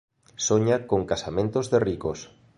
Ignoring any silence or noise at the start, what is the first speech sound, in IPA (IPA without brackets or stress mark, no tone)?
s